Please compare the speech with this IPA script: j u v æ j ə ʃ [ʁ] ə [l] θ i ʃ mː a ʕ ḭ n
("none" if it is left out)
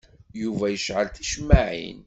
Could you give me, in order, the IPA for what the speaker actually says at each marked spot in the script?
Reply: ʕ, l

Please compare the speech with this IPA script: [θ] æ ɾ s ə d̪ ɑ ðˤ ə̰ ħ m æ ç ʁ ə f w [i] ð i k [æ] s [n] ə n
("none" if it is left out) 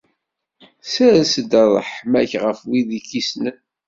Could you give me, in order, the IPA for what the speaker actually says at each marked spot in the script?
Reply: s, i, i, n

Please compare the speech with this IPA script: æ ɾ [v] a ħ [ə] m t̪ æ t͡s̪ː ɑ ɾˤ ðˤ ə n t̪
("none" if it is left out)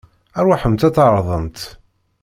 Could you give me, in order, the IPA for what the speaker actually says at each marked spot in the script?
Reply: w, ə

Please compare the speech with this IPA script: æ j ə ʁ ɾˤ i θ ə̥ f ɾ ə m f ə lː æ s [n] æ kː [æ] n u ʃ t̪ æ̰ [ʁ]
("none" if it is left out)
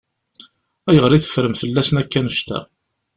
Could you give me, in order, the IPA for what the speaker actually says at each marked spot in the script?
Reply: n, æ, none

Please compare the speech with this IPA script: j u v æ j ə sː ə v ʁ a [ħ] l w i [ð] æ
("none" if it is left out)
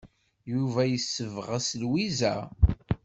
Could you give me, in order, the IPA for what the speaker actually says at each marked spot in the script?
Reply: s, z

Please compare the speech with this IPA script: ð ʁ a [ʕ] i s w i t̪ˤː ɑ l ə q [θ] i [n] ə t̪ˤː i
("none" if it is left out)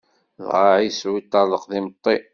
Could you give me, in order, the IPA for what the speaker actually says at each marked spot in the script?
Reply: ʕ, ð, m

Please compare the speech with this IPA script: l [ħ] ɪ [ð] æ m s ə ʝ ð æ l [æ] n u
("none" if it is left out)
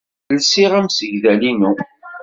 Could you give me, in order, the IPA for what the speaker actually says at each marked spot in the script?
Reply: s, ʁ, i

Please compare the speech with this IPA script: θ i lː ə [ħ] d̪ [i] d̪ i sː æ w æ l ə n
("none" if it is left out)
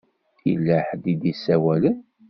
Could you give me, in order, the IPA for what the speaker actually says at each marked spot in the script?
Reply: ħ, i

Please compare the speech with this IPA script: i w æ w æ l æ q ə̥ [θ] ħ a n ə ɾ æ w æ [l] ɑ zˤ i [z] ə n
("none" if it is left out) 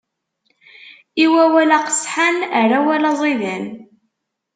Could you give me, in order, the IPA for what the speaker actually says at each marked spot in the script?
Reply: s, l, ð

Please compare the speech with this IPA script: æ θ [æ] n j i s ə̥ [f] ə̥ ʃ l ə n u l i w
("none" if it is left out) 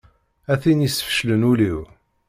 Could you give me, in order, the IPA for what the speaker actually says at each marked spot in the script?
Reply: i, f

